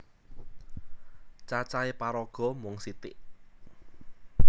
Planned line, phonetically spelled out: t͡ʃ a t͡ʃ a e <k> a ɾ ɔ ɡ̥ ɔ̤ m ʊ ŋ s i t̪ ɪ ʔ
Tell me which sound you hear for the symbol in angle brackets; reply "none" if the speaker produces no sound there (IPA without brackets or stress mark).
p